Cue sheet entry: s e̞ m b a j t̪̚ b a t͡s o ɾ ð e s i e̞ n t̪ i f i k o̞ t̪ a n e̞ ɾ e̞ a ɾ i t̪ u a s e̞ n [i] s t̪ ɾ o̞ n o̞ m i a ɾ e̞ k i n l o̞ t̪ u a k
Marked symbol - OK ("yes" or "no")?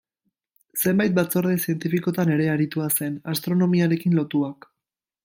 no